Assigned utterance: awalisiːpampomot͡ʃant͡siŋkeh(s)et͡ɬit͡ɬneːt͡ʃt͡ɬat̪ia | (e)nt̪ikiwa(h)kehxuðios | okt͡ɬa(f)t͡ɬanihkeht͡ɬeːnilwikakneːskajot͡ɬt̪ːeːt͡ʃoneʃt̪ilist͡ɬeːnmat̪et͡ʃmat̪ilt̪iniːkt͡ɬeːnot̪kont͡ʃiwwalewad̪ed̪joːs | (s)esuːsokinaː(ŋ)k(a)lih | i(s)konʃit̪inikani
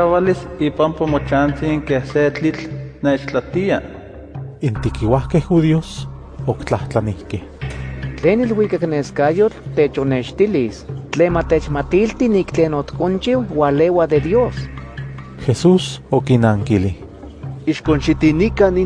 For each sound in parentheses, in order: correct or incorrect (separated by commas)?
correct, incorrect, correct, incorrect, incorrect, correct, incorrect, incorrect